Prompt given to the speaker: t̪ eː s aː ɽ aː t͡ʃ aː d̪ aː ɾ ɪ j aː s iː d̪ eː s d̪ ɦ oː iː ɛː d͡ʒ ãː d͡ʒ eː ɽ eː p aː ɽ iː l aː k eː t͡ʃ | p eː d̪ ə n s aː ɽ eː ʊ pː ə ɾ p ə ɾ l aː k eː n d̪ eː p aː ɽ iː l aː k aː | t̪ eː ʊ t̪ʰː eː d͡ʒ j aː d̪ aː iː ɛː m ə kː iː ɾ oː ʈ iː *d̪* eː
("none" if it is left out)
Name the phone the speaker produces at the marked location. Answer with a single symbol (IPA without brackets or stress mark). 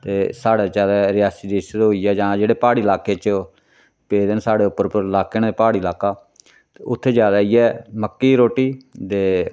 d̪